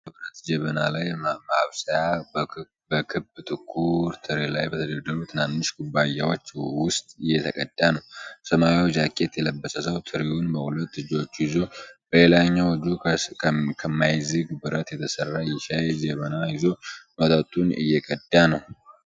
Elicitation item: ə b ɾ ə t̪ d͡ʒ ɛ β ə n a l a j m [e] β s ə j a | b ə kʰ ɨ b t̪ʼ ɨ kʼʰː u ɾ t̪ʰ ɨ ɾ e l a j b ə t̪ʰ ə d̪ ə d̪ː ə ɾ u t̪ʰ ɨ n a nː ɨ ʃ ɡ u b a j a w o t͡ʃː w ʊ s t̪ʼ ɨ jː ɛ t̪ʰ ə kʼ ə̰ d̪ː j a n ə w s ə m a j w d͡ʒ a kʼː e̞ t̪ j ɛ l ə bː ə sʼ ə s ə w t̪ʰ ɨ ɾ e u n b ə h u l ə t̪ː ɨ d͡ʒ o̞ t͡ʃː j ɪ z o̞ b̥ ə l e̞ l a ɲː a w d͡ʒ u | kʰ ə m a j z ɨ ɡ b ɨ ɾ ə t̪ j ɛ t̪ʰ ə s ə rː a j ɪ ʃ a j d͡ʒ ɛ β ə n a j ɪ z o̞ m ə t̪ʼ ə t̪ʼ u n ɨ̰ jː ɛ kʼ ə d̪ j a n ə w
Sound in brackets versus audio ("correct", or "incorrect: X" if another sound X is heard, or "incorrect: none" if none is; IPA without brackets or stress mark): incorrect: a